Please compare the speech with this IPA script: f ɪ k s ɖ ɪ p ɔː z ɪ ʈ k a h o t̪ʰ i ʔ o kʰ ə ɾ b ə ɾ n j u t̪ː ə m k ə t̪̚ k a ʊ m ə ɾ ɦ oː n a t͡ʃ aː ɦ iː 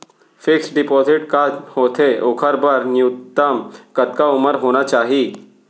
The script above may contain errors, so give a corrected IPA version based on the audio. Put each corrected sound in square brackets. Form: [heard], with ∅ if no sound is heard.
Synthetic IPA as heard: f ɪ k s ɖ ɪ p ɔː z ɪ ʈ k a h o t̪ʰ [e] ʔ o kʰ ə ɾ b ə ɾ n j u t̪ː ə m k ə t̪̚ k a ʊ m ə ɾ ɦ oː n a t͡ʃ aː ɦ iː